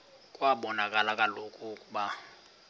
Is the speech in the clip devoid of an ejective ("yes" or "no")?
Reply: no